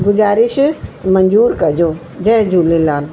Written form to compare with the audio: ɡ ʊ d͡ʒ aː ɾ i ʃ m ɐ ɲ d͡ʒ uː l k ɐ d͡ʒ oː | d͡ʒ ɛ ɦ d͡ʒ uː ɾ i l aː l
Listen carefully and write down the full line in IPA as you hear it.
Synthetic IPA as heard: ɡ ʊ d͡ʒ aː ɾ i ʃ m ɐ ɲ d͡ʒ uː ɾ k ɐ d͡ʒ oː | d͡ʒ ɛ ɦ d͡ʒ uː l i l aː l